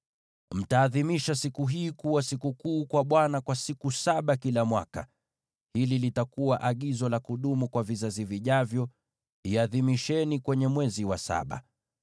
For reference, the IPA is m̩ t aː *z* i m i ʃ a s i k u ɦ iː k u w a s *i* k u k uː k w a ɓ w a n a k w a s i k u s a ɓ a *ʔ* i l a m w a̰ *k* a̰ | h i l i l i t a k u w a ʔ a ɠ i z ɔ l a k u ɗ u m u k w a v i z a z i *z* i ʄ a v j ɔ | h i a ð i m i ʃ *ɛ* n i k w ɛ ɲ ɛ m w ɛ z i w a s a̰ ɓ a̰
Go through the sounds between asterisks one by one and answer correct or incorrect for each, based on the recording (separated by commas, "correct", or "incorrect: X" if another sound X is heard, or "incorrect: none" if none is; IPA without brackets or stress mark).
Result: incorrect: ð, correct, incorrect: k, correct, incorrect: v, correct